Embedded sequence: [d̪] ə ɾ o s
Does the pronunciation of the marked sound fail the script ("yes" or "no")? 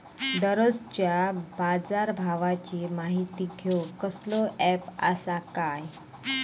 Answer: no